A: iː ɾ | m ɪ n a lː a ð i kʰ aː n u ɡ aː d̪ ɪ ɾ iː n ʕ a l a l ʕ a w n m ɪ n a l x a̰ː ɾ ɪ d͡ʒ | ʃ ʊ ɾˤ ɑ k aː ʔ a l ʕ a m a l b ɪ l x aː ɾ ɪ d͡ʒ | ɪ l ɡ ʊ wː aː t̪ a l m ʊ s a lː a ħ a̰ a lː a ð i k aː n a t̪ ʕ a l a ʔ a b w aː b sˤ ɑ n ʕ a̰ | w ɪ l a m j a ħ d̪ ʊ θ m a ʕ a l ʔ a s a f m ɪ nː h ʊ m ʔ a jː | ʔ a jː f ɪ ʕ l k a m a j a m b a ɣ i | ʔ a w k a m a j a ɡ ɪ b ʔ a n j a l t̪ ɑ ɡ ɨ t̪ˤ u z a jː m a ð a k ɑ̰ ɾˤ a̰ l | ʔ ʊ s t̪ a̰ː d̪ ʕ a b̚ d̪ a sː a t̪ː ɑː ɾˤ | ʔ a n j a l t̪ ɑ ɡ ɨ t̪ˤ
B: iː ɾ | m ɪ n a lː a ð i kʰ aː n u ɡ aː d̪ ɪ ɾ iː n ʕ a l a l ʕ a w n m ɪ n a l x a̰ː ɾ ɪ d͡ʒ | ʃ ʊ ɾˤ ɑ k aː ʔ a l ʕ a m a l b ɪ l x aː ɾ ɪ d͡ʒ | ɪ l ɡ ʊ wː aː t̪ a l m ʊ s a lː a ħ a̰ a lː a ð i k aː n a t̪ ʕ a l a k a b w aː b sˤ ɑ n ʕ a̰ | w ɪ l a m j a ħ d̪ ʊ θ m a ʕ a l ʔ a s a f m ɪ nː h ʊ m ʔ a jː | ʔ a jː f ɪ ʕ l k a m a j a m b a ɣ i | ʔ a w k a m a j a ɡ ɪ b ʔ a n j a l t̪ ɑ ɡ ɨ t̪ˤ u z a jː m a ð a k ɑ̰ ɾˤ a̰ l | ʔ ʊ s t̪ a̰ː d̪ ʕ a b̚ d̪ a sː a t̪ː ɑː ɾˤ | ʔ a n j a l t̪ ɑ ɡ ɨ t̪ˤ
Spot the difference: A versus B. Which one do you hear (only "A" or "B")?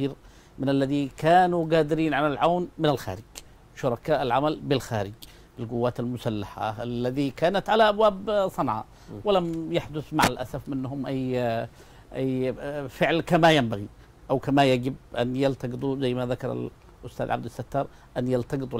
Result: A